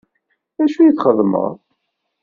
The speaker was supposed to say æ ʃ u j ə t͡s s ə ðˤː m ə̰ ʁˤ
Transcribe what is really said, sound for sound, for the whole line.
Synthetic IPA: æ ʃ u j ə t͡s χ ə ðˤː m ə̰ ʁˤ